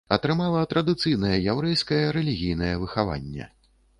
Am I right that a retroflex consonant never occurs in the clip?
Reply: yes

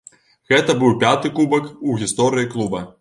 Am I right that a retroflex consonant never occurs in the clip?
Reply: yes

